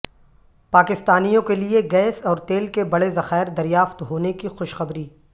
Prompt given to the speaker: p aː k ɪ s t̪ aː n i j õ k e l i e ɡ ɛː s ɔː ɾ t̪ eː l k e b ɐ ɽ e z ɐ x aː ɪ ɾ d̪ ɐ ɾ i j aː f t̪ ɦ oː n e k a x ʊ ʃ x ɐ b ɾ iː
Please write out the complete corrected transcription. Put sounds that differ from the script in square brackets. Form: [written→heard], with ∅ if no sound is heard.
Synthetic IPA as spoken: p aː k ɪ s t̪ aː n i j õ k e l i e ɡ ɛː s ɔː ɾ t̪ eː l k e b ɐ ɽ e z ɐ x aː ɪ ɾ d̪ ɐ ɾ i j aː f t̪ ɦ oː n e k [a→i] x ʊ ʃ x ɐ b ɾ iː